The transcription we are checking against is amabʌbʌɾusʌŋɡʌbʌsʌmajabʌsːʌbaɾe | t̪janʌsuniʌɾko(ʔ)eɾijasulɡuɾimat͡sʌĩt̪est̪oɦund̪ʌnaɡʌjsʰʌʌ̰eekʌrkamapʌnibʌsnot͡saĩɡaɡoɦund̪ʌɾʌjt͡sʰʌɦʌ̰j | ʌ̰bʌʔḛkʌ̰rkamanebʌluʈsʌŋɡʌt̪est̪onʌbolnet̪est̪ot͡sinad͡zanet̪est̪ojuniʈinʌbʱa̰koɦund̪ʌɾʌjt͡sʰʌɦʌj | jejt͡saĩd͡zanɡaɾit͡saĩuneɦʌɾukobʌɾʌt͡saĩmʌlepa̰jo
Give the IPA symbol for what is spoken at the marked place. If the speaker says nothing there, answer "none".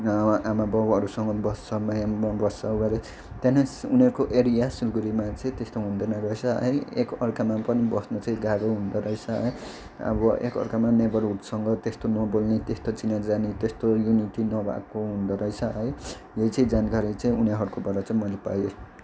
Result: ʔ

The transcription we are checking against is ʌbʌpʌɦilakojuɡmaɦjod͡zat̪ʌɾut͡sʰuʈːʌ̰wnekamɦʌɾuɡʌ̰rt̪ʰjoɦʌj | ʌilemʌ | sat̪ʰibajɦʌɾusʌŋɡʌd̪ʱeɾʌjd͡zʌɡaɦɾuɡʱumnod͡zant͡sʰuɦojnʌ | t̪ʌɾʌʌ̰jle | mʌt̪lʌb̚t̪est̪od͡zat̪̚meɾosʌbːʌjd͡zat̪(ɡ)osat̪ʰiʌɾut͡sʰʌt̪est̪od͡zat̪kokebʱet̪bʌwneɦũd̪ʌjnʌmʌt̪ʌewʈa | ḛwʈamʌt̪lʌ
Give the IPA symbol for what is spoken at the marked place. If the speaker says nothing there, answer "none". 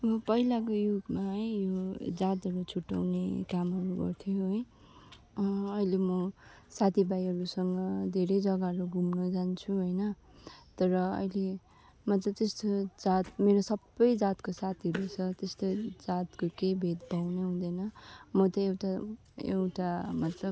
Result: k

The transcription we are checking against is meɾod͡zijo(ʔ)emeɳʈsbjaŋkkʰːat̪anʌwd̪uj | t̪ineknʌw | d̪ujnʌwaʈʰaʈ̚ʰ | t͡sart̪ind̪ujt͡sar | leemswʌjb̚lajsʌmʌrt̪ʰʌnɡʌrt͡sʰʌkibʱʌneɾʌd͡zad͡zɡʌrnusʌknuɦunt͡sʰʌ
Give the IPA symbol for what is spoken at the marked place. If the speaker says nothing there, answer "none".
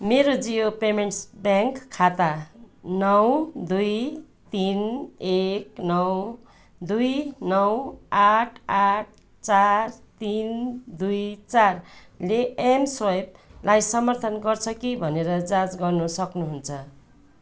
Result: p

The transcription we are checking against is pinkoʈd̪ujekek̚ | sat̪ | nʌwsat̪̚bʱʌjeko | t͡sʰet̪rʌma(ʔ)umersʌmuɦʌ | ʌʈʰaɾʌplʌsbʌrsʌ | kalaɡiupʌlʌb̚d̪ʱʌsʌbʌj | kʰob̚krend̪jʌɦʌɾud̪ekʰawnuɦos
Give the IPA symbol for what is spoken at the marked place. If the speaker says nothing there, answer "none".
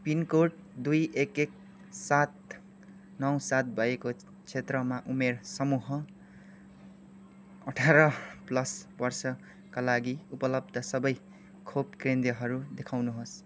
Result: ʔ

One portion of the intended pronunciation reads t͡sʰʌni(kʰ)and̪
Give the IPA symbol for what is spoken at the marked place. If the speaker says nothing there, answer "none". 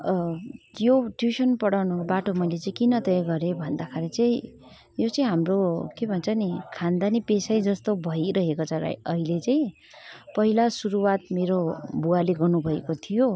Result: kʰ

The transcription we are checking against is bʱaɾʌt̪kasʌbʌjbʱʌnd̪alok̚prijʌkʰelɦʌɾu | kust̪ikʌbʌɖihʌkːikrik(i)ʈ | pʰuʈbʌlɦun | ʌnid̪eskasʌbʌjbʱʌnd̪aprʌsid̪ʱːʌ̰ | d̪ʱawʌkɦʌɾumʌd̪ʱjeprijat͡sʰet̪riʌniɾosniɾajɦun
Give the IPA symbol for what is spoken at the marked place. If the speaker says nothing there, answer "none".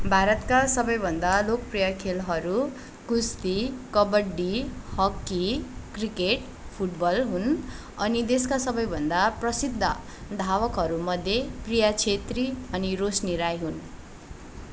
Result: e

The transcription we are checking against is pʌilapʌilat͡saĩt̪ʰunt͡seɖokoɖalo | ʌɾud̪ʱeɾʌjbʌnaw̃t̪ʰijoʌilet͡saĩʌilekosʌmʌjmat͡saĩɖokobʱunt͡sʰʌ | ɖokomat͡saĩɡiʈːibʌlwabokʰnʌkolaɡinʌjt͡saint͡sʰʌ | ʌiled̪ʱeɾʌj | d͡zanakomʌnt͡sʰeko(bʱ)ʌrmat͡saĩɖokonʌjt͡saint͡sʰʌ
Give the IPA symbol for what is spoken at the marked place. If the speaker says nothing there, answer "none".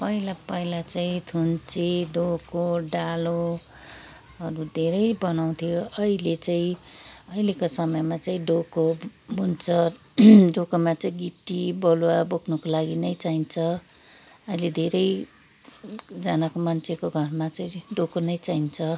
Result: ɡʱ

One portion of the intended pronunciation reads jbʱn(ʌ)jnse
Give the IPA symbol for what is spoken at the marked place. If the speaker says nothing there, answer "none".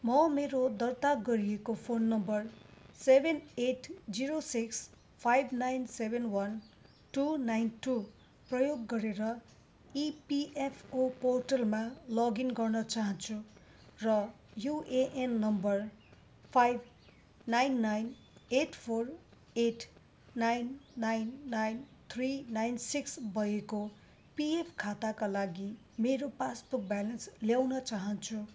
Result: a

